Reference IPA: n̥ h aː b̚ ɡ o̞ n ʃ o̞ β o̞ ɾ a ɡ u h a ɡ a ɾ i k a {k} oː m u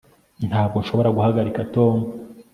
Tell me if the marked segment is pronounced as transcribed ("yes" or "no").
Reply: no